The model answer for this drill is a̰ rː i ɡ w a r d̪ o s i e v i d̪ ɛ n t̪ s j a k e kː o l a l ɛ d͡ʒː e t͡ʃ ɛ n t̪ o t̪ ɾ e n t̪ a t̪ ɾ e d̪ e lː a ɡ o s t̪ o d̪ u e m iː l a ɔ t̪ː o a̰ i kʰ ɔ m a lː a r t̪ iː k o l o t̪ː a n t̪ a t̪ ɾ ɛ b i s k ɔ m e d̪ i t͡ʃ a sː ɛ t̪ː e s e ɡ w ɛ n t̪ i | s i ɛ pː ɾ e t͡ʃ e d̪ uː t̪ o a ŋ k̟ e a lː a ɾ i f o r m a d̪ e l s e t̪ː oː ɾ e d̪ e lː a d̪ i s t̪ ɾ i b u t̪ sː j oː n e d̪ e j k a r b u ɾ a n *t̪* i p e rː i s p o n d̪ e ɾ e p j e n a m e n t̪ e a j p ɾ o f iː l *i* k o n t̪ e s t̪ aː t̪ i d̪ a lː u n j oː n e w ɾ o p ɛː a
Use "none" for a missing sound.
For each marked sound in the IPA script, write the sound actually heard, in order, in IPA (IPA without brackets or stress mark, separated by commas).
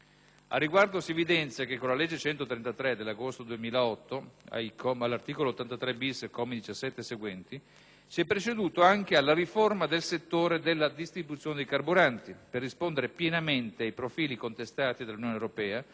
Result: t̪, i